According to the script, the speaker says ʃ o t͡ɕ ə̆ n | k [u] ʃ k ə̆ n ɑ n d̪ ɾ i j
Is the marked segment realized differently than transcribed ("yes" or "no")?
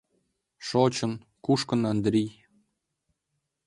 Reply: no